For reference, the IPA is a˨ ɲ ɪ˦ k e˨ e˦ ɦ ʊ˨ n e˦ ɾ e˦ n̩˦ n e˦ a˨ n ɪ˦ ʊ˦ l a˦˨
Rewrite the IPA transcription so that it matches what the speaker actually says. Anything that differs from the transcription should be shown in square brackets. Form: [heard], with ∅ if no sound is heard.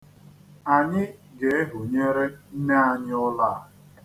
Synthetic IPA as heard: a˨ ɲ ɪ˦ [ɡ] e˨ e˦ ɦ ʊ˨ [ɲ] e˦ ɾ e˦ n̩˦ n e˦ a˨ [ɲ] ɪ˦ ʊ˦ l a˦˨

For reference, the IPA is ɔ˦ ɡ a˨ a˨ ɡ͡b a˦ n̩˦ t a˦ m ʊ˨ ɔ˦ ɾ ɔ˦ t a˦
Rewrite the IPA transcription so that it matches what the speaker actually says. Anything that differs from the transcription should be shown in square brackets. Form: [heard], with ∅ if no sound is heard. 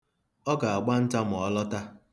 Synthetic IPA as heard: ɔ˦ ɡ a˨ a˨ ɡ͡b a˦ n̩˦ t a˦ m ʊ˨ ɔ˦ [l] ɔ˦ t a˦

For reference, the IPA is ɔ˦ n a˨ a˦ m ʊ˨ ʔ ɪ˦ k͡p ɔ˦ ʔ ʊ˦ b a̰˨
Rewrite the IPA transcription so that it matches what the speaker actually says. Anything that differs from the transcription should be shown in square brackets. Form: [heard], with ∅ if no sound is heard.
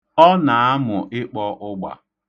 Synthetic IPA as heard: ɔ˦ n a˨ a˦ m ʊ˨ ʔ ɪ˦ k͡p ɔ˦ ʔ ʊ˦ [ɡ͡b] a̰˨

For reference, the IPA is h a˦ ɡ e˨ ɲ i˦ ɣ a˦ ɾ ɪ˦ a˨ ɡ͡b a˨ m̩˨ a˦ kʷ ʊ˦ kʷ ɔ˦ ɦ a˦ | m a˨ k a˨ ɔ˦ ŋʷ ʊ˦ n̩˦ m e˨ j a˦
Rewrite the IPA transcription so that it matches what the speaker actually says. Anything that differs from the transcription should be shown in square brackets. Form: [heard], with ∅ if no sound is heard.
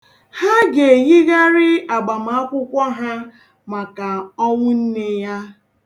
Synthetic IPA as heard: h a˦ ɡ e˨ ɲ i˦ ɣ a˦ ɾ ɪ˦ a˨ ɡ͡b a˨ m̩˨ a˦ kʷ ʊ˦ kʷ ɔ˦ ɦ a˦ | m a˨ k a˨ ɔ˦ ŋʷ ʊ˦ n̩˦ [n] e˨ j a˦

